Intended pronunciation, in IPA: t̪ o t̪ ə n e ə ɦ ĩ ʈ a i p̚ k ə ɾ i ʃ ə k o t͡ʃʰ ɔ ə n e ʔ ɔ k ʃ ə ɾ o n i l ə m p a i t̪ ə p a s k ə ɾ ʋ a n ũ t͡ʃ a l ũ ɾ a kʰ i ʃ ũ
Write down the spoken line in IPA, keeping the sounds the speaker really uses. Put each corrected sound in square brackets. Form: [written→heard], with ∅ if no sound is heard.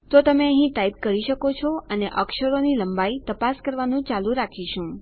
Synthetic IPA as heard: t̪ o t̪ ə [n→m] e ə ɦ ĩ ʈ a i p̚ k ə ɾ i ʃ ə k o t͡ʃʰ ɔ ə n e ʔ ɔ k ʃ ə ɾ o n i l ə m [p→b] a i t̪ ə p a s k ə ɾ ʋ a n ũ t͡ʃ a l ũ ɾ a kʰ i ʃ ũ